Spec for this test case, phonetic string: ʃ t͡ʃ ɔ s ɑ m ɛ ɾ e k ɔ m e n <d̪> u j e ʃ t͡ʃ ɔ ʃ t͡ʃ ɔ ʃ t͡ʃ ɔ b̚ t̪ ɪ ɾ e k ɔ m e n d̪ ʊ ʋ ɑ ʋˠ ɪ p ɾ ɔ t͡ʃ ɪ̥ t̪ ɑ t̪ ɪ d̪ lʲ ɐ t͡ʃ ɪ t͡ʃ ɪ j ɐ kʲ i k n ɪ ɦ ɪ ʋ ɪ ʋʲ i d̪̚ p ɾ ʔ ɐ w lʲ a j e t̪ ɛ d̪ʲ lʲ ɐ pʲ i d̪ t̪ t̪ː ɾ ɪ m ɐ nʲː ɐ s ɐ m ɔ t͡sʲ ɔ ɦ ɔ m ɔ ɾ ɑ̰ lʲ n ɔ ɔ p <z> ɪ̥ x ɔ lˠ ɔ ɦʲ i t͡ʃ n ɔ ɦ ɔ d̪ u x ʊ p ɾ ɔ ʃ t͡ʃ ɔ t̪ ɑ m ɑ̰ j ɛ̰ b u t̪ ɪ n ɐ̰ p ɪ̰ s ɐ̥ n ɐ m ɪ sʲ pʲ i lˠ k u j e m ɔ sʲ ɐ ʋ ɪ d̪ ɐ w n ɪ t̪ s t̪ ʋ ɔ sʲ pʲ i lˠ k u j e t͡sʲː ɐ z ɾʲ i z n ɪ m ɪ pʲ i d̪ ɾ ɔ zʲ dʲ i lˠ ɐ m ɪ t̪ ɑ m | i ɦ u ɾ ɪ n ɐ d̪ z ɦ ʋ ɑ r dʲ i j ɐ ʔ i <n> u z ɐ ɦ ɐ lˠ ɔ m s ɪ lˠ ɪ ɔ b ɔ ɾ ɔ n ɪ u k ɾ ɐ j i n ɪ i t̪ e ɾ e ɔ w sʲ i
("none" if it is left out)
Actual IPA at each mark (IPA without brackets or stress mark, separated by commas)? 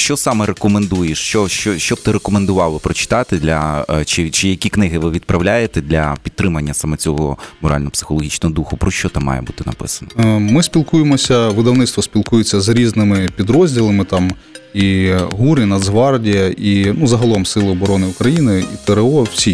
d̪, s, n